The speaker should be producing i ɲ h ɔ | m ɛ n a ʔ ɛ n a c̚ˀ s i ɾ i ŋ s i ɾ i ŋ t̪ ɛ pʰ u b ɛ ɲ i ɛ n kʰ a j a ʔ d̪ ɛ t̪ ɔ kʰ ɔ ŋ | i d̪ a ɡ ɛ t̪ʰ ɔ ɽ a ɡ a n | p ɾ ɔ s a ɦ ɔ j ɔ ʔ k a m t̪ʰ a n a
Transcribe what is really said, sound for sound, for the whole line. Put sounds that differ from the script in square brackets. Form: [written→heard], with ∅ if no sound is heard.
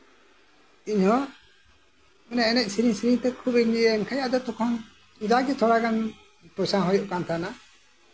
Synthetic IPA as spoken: i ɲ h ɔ | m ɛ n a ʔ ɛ n [a→ɛ] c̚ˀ s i ɾ i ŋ s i ɾ i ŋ t̪ ɛ [pʰ→kʰ] u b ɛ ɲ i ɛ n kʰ a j a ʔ d̪ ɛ t̪ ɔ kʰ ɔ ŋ | i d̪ a ɡ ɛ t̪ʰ ɔ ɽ a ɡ a n | p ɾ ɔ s a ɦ ɔ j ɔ ʔ k a [m→n] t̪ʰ a n a

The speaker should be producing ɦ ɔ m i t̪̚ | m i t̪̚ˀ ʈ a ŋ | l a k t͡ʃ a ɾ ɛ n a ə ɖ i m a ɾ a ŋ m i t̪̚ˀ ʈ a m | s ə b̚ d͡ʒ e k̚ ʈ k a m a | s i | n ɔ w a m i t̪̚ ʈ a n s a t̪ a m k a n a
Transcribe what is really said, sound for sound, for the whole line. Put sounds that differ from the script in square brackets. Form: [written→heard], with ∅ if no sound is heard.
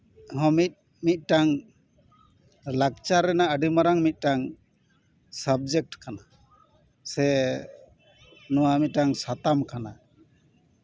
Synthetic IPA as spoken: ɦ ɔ m i t̪̚ | m i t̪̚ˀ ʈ a ŋ | l a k t͡ʃ a ɾ ɛ n a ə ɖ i m a ɾ a ŋ m i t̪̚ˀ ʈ a [m→ŋ] | s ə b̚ d͡ʒ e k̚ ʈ k a [m→n] a | s [i→ɛ] | n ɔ w a m i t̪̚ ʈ a [n→ŋ] s a t̪ a m k a n a

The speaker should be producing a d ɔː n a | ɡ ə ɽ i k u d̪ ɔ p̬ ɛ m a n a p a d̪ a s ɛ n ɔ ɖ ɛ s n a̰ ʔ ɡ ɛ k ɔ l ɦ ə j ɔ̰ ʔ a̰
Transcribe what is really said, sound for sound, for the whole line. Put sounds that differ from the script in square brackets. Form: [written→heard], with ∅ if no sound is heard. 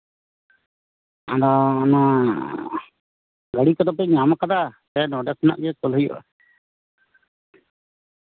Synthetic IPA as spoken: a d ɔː n a | ɡ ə ɽ i k [u→ɔ] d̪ ɔ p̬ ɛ [m→ɲ] a [n→m] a [p→k] a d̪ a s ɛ n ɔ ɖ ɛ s n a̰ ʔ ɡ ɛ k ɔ l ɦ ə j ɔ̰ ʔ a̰

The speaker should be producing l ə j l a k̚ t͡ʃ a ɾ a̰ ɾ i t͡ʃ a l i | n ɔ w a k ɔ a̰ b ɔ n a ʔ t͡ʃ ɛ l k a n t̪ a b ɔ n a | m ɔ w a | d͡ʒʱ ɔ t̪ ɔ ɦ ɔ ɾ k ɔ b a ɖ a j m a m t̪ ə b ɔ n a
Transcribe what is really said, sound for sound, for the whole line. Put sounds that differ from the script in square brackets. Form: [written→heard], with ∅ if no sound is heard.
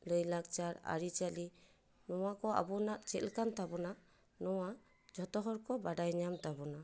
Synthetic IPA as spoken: l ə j l a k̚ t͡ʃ a ɾ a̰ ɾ i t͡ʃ a l i | n ɔ w a k ɔ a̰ b ɔ n a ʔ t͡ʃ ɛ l k a n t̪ a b ɔ n a | [m→n] ɔ w a | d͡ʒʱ ɔ t̪ ɔ ɦ ɔ ɾ k ɔ b a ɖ a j [m→ɲ] a m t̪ [ə→a] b ɔ n a

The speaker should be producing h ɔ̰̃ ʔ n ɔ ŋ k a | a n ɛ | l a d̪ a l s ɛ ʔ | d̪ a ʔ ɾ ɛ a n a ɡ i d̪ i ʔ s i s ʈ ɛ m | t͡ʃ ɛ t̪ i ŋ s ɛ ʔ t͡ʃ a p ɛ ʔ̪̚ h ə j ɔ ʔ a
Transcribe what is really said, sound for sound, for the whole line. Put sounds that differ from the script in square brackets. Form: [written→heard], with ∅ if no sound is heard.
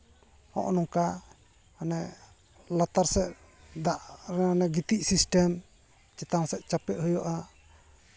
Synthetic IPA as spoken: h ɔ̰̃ ʔ n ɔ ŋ k a | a n ɛ | l a [d̪→t̪] a [l→ɾ] s ɛ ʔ | d̪ a ʔ ɾ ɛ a n [a→ɛ] ɡ i [d̪→t̪] i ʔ s i s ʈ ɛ m | t͡ʃ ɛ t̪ [i→a] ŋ s ɛ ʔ t͡ʃ a p ɛ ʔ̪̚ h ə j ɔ ʔ a

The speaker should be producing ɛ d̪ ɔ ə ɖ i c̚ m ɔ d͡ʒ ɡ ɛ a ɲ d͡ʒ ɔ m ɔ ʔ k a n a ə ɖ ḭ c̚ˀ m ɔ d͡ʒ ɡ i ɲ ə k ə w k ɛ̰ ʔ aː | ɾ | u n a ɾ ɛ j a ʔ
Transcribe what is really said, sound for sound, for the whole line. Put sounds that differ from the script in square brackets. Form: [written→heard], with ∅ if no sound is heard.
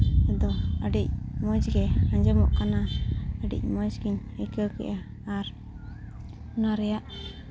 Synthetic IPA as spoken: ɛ d̪ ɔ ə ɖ i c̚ m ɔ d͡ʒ ɡ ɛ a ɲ d͡ʒ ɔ m ɔ ʔ k a n a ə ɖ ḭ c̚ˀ m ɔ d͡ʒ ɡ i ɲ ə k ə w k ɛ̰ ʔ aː | ɾ | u n a ɾ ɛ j a ʔ

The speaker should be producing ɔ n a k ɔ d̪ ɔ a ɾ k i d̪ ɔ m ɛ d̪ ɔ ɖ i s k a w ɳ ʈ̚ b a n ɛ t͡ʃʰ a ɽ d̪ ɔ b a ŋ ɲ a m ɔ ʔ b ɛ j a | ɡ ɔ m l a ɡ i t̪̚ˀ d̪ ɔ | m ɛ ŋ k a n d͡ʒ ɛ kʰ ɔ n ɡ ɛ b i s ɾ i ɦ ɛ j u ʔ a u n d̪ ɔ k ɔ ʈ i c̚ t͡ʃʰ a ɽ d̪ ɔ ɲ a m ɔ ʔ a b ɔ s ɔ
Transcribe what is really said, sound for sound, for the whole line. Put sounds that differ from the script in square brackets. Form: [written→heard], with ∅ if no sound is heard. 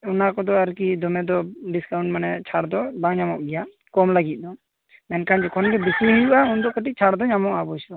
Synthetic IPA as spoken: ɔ n a k ɔ d̪ ɔ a ɾ k i d̪ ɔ m ɛ d̪ ɔ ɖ i s k a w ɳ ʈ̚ [b→m] a n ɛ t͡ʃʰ a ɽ d̪ ɔ b a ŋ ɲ a m ɔ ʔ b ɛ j a | [ɡ→k] ɔ m l a ɡ i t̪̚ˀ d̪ ɔ | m ɛ [ŋ→n] k a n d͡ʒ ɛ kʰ ɔ n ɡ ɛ b i s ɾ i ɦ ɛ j u ʔ a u n d̪ ɔ k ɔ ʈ i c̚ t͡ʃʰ a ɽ d̪ ɔ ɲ a m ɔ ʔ a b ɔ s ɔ

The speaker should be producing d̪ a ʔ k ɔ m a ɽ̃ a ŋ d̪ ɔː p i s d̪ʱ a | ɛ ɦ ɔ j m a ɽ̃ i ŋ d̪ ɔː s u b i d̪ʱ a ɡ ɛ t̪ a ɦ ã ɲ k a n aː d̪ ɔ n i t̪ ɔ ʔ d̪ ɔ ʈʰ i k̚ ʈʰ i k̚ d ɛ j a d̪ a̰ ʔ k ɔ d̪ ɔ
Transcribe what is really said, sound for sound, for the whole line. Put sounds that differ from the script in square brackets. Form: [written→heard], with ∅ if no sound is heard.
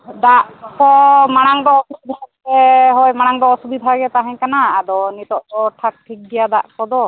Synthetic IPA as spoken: d̪ a ʔ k ɔ m a ɽ̃ a ŋ d̪ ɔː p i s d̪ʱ a | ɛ ɦ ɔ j m a ɽ̃ [i→a] ŋ d̪ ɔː s u b i d̪ʱ a ɡ ɛ t̪ a ɦ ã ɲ k a n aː d̪ ɔ n i t̪ ɔ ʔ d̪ ɔ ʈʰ [i→a] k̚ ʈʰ i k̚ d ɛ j a d̪ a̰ ʔ k ɔ d̪ ɔ

